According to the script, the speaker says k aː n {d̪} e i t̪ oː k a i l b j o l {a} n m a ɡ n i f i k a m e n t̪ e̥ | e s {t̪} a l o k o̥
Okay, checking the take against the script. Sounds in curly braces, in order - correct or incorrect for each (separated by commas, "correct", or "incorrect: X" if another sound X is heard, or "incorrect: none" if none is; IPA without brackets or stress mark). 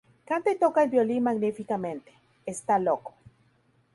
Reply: incorrect: t̪, incorrect: i, correct